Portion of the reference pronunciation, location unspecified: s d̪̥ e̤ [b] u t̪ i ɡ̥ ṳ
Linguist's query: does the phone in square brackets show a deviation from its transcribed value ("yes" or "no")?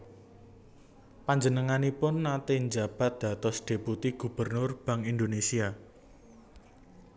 yes